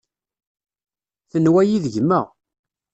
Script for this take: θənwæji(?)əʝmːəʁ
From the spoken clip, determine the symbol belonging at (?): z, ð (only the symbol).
ð